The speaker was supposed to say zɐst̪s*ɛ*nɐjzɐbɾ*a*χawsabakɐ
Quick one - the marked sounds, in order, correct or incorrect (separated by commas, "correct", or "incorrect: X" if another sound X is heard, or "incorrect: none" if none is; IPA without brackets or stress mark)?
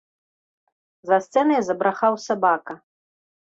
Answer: correct, correct